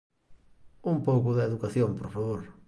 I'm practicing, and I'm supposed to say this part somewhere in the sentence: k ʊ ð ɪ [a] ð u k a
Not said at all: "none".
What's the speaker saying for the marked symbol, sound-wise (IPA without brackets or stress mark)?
e